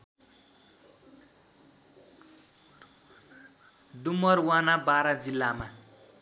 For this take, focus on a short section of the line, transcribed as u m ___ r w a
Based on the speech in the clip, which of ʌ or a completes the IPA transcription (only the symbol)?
ʌ